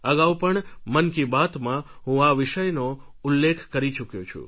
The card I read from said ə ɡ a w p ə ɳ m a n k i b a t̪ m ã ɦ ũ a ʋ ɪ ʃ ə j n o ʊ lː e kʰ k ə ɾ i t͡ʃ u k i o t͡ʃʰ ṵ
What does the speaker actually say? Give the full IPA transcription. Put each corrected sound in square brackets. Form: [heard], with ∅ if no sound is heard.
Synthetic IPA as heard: ə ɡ a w p ə ɳ m [ə] n k i b a t̪ m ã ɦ ũ a ʋ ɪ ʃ ə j n o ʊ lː e kʰ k ə ɾ i t͡ʃ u k [j] o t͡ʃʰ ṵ

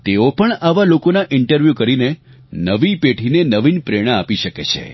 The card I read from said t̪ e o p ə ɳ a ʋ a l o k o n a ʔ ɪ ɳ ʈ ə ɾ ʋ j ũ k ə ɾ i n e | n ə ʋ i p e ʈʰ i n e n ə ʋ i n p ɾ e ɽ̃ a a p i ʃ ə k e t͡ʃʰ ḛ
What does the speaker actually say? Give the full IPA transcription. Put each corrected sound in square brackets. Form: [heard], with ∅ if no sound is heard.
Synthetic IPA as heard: t̪ e o p ə ɳ a ʋ a l o k o n a ʔ ɪ ɳ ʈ ə ɾ ʋ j [u] k ə ɾ i n e | n ə ʋ i p e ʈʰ i n e n ə ʋ i n p ɾ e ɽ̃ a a p i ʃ ə k e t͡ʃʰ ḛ

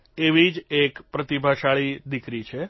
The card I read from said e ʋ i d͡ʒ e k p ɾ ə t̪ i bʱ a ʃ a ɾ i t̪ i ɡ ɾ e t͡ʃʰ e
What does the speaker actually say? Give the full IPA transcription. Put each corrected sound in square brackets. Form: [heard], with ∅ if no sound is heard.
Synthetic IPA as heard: e ʋ i d͡ʒ e k p ɾ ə t̪ i bʱ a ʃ a [ɭ] i [d̪] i [k] ɾ [i] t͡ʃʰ e

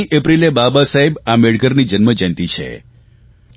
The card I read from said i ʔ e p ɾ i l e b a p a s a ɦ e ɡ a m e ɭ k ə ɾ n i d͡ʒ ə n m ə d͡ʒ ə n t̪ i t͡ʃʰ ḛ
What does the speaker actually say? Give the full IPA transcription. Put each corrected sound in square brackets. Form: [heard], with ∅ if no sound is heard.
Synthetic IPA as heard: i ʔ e p ɾ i l e b a [b] a s a ɦ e [b] a m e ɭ [ɡ] ə ɾ n i d͡ʒ ə n m ə d͡ʒ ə n t̪ i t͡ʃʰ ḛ

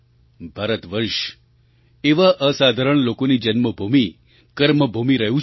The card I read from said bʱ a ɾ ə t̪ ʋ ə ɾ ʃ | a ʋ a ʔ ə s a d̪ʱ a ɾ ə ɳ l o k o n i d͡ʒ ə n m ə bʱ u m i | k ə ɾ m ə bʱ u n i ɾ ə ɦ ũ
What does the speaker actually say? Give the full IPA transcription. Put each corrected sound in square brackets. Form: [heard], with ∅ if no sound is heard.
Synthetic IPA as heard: bʱ a ɾ ə t̪ ʋ ə ɾ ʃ | [e] ʋ a ʔ ə s a d̪ʱ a ɾ ə ɳ l o k o n i d͡ʒ ə n m ə bʱ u m i | k ə ɾ m ə bʱ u [m] i ɾ ə ɦ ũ

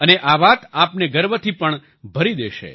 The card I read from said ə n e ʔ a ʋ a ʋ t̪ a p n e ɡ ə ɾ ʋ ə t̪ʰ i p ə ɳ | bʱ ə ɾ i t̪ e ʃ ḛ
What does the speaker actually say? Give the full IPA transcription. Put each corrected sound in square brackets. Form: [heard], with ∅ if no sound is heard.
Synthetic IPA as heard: ə n e ʔ a ʋ a [∅] t̪ a p n e ɡ ə ɾ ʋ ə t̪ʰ i p ə ɳ | bʱ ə ɾ i [d̪] e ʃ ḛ

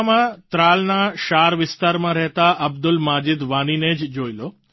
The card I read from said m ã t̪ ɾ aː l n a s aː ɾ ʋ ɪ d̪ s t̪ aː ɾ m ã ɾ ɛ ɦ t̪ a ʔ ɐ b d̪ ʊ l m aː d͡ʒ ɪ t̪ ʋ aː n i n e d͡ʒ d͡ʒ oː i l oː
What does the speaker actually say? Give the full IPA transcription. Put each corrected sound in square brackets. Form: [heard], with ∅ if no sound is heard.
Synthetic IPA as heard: m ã t̪ ɾ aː l n a [ʃ] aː ɾ ʋ ɪ [∅] s t̪ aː ɾ m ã ɾ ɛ ɦ t̪ a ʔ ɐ b d̪ ʊ l m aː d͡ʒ ɪ [d̪] ʋ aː n i n e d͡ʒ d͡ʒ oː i l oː

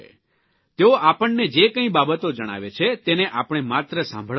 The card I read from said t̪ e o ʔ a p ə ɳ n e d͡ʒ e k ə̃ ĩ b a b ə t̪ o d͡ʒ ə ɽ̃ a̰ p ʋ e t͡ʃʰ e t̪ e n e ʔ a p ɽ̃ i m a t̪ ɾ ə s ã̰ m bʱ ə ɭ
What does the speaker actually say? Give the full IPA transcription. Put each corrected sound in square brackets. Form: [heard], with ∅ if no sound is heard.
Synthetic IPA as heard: t̪ e o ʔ a p ə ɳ n e d͡ʒ e k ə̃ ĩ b a b ə t̪ o d͡ʒ ə ɽ̃ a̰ [∅] ʋ e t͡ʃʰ e t̪ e n e ʔ a p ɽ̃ [e] m a t̪ ɾ ə s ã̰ m bʱ ə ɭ

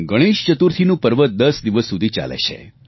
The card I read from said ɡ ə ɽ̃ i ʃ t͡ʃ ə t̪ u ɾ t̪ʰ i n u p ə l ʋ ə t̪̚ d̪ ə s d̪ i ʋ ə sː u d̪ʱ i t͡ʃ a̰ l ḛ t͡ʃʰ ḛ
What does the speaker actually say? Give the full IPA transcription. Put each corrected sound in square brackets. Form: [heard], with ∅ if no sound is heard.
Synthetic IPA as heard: ɡ ə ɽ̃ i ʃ t͡ʃ ə t̪ u ɾ t̪ʰ i n [ũ] p ə [ɾ] ʋ ə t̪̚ d̪ ə s d̪ i ʋ ə sː u d̪ʱ i t͡ʃ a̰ l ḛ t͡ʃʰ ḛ

